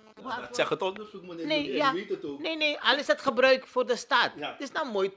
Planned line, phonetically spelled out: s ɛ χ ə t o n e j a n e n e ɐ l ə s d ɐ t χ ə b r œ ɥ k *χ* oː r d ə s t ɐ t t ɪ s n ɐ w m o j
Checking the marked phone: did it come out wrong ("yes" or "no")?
yes